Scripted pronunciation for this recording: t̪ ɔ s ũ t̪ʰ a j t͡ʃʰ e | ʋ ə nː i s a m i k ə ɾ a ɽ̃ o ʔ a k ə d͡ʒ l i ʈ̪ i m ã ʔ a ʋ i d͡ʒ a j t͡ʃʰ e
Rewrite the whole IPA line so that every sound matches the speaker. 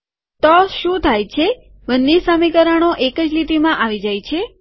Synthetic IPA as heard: t̪ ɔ ʃ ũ t̪ʰ a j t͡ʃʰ e | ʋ ə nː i s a m i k ə ɾ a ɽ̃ o ʔ e k ə d͡ʒ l i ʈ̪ i m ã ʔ a ʋ i d͡ʒ a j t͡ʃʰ e

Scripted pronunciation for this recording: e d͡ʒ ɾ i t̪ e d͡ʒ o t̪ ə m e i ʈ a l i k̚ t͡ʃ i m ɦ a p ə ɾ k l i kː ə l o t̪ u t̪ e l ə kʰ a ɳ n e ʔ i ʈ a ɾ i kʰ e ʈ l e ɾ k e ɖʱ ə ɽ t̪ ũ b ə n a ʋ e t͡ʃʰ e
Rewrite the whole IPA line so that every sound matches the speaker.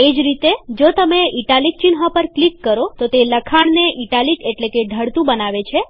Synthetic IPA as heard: e d͡ʒ ɾ i t̪ e d͡ʒ o t̪ ə m e i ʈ a l i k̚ t͡ʃ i n ɦ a p ə ɾ k l i kː ə ɾ o t̪ o t̪ e l ə kʰ a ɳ n e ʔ i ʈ a l i k e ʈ l e k e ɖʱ ə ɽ t̪ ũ b ə n a ʋ e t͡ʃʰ e

